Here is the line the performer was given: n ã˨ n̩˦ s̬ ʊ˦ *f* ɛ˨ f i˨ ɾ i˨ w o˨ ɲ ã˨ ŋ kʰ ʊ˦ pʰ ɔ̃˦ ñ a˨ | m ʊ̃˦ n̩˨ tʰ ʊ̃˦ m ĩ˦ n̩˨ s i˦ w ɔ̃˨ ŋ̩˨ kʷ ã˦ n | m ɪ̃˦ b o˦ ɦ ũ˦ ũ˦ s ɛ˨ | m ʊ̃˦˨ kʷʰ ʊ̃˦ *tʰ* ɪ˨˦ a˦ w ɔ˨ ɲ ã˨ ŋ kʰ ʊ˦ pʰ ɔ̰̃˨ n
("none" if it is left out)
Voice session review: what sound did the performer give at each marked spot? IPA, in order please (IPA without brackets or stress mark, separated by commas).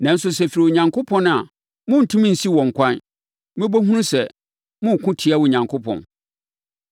s, tʰ